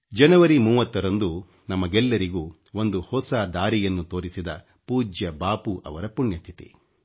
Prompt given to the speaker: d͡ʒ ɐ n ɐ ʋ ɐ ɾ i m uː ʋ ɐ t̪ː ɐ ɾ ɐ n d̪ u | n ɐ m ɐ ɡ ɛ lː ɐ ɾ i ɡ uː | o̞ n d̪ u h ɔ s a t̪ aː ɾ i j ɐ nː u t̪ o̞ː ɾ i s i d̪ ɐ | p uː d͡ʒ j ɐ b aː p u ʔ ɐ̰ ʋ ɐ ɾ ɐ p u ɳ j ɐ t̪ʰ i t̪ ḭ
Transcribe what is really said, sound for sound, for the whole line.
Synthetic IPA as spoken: d͡ʒ ɐ n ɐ ʋ ɐ ɾ i m uː ʋ ɐ t̪ː ɐ ɾ ɐ n d̪ u | n ɐ m ɐ ɡ ɛ lː ɐ ɾ i ɡ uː | o̞ n d̪ u h ɔ s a d̪ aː ɾ i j ɐ nː u t̪ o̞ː ɾ i s i d̪ ɐ | p uː d͡ʒ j ɐ b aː p u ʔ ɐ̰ ʋ ɐ ɾ ɐ p u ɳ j ɐ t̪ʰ i t̪ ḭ